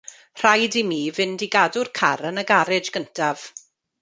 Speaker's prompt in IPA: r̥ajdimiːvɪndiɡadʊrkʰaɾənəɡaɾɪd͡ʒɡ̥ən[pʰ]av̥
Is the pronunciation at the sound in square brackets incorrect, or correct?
incorrect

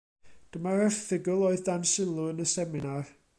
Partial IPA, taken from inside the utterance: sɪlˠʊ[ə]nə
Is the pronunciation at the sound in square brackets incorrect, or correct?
correct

